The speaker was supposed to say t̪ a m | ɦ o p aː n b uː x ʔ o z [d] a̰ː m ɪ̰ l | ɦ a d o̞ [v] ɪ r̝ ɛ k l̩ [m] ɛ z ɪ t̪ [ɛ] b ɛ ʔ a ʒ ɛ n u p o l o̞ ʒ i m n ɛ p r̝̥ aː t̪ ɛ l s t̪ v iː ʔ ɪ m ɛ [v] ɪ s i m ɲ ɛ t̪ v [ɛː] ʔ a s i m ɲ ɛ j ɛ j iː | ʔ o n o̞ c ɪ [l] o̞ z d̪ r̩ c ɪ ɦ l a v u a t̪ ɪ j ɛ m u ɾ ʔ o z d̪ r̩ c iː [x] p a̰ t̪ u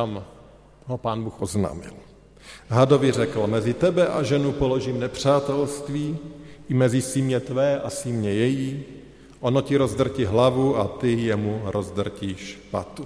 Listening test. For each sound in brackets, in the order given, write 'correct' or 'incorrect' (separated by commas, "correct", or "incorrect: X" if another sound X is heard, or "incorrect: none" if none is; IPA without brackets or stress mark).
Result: incorrect: n, correct, correct, correct, incorrect: z, correct, incorrect: ɾ, incorrect: ʃ